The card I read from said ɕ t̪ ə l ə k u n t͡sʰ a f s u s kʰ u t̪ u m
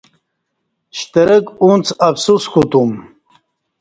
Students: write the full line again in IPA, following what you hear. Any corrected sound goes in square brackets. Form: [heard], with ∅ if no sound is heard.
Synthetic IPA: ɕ t̪ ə [ɾ] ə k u n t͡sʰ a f s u s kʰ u t̪ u m